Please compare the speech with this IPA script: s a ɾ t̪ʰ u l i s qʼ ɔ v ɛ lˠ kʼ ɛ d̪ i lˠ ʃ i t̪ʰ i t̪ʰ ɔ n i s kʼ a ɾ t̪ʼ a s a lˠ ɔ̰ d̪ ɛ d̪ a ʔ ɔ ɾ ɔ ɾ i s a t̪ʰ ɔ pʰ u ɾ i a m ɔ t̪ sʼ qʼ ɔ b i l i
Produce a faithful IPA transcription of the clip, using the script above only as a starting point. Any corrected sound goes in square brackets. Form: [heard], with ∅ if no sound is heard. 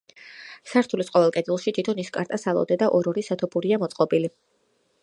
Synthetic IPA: s a ɾ t̪ʰ u l i s qʼ ɔ v ɛ lˠ kʼ ɛ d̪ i lˠ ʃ i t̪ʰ i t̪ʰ ɔ n i s kʼ a ɾ t̪ʼ a s a lˠ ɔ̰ d̪ ɛ d̪ a ʔ ɔ ɾ ɔ ɾ i s a t̪ʰ ɔ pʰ u ɾ i a m ɔ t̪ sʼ qʼ ɔ b i l i